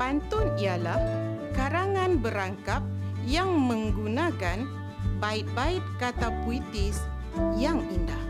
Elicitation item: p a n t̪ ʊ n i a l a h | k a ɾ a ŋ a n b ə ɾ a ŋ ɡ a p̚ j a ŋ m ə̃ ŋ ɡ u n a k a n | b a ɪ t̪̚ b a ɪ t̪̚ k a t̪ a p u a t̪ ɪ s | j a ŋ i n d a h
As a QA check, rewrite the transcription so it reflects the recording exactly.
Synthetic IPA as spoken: p a n t̪ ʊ n i a l a h | k a ɾ a ŋ a n b ə ɾ a ŋ k a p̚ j a ŋ m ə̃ ŋ ɡ u n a k a n | b a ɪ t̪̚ b a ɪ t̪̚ k a t̪ a p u i t̪ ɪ s | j a ŋ i n d a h